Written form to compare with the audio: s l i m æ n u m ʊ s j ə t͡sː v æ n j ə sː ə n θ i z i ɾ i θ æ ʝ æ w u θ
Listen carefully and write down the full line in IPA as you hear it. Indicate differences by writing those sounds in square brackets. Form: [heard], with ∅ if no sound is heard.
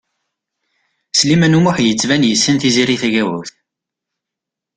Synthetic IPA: s l i m æ n u m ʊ [ħ] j ə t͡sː v æ n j ə sː ə n θ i z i ɾ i θ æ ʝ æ w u θ